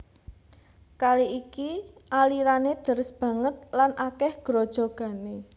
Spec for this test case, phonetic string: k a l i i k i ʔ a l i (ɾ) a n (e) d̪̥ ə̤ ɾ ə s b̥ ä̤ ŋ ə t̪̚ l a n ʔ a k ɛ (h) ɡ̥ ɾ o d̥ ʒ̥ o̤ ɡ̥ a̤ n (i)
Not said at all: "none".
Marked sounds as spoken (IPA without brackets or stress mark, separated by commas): ɾ, e, h, e